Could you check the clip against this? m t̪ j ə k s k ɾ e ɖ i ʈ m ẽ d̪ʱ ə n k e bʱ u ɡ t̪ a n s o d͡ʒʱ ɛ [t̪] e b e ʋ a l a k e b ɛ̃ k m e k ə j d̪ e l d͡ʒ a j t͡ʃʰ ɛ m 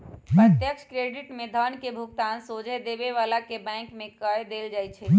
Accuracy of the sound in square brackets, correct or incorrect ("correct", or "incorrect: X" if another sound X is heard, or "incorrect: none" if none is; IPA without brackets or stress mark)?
incorrect: d̪